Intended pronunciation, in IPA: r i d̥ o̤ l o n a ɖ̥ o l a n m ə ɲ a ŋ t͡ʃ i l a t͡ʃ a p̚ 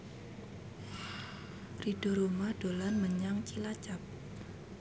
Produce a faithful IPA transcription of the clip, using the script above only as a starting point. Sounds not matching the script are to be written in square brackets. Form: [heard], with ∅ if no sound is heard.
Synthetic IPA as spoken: r i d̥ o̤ [ɾ] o [m] a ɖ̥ o l a n m ə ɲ a ŋ t͡ʃ i l a t͡ʃ a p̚